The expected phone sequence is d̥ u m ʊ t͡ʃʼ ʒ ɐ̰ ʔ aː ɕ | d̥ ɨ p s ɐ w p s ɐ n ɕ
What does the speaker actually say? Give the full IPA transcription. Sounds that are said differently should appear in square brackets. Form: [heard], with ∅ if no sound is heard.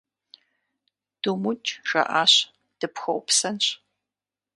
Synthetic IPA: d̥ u m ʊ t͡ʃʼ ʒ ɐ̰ ʔ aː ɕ | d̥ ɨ p [x] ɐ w p s ɐ n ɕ